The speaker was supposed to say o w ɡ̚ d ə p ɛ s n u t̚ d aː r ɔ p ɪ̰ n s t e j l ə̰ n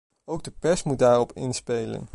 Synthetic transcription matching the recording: o w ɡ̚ d ə p ɛ s m u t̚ d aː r ɔ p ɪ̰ n s p e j l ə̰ n